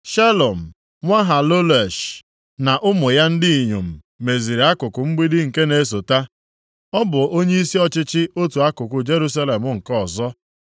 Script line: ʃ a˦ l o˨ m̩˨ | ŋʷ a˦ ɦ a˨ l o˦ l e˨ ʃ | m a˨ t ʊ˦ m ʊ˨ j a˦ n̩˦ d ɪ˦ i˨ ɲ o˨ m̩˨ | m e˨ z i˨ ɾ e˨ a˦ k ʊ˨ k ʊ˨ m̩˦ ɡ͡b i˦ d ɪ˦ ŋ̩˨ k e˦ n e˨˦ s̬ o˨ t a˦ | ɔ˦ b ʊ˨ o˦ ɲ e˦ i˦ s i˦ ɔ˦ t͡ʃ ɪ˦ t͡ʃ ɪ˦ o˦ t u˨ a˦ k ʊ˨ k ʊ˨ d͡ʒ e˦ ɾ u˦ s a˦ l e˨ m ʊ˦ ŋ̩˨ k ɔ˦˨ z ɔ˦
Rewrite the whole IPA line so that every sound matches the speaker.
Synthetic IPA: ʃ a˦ l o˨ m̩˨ | ŋʷ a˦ ɦ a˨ l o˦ l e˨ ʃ | n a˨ ʔ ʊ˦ m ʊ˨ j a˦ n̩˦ d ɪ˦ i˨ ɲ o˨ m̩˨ | m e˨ z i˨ ɾ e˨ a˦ k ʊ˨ k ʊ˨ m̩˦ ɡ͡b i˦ d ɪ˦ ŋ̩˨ k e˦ n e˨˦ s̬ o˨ t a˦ | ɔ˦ b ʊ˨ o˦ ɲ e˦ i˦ s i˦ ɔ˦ t͡ʃ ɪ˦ t͡ʃ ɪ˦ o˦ t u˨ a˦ k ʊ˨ k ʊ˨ d͡ʒ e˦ ɾ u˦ s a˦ l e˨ m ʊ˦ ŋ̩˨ k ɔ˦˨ z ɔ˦